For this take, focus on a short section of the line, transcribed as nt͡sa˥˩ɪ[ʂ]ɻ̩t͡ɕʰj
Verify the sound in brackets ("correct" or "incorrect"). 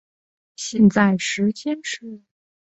correct